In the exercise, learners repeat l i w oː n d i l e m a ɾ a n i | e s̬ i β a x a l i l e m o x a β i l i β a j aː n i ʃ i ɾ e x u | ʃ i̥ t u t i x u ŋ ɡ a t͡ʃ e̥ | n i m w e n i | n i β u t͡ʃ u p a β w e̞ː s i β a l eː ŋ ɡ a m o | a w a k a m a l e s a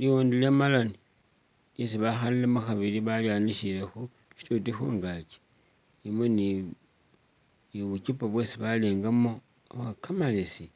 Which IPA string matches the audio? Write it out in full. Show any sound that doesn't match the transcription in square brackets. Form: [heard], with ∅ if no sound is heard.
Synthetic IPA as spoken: l i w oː n d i l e m a [l] a n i | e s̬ i β a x a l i l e m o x a β i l i β a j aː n i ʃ i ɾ e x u | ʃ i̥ t u t i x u ŋ ɡ a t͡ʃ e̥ | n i m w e n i | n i β u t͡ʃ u p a β w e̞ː s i β a l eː ŋ ɡ a m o | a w a k a m a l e s [i]